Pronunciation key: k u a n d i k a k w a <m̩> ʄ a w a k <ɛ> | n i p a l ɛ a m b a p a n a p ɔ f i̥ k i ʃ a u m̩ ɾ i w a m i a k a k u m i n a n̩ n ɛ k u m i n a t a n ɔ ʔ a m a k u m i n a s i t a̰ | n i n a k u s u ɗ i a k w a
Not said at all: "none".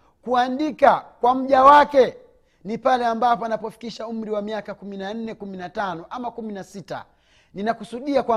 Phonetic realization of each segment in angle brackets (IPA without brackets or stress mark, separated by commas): m̩, ɛ